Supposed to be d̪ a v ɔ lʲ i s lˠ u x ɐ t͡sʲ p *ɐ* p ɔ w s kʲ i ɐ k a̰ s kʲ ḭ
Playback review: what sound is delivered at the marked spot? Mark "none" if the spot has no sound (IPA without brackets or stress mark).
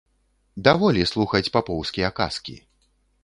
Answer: a